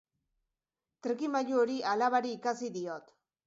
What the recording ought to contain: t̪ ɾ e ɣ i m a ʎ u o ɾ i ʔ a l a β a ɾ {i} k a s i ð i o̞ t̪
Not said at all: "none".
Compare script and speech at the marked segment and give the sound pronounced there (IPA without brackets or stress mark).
iː